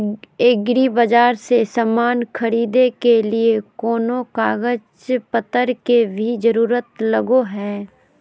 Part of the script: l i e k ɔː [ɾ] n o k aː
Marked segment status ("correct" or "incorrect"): incorrect